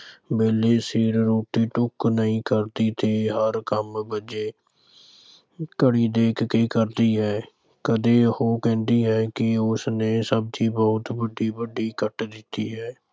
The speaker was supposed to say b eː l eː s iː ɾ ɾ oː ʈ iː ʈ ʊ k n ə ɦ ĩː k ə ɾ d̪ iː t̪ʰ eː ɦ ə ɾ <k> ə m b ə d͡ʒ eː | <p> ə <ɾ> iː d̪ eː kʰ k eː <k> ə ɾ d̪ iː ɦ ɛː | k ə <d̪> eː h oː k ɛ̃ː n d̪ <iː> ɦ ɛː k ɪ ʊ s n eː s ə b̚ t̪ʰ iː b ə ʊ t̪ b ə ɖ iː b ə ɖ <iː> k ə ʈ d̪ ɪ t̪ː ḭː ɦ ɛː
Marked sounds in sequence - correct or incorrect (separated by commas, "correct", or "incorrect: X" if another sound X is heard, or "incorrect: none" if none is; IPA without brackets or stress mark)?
correct, incorrect: k, incorrect: ɽ, correct, correct, correct, correct